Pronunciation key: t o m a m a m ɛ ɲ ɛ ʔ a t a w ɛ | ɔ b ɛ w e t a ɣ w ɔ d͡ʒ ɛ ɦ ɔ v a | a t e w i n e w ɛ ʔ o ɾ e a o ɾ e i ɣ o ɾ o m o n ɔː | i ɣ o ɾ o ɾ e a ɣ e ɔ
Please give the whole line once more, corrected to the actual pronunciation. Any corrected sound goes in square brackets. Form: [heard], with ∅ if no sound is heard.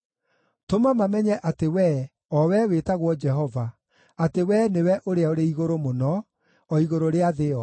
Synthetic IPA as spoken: t o m a m a m ɛ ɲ ɛ ʔ a t [e] w ɛ | ɔ [w] ɛ w e t a ɣ w ɔ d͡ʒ ɛ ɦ ɔ v a | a t e w [ɛ] n e w ɛ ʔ o ɾ e a o ɾ e i ɣ o ɾ o m o n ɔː | i ɣ o ɾ o ɾ e a [ð] e ɔ